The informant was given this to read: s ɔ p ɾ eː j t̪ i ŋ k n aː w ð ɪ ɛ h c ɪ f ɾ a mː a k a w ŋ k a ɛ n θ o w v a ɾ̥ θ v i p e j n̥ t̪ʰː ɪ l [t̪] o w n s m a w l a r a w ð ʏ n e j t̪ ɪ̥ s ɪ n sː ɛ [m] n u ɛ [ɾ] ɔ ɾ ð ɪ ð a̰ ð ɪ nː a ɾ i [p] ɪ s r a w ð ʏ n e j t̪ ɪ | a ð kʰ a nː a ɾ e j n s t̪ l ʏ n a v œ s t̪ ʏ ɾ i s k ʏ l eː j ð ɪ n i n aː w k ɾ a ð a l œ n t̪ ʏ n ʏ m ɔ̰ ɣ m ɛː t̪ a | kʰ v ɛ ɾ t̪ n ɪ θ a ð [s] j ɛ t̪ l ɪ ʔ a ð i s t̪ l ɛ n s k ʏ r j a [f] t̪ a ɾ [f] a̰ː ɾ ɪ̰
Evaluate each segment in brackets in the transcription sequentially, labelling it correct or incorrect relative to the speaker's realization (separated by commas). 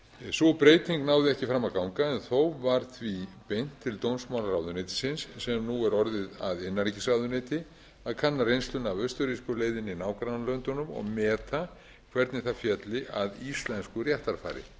correct, correct, correct, incorrect, incorrect, incorrect, correct